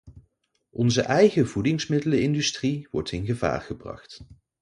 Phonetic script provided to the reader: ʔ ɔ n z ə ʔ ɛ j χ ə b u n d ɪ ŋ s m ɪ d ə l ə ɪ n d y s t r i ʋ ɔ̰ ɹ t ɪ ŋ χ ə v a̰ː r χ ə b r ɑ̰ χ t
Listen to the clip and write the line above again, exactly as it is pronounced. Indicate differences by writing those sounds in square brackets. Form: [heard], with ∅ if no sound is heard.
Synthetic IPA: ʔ ɔ n z ə ʔ ɛ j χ ə [v] u [∅] d ɪ ŋ s m ɪ d ə l ə ɪ n d y s t r i ʋ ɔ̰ ɹ t ɪ [n] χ ə v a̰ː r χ ə b r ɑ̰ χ t